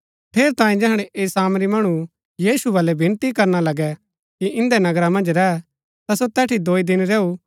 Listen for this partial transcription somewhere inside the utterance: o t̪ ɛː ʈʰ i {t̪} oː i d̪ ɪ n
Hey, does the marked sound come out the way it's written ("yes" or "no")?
no